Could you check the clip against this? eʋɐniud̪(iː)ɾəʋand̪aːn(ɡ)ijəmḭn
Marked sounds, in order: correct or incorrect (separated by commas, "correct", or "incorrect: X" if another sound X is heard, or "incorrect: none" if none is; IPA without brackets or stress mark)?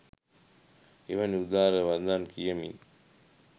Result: incorrect: aː, incorrect: k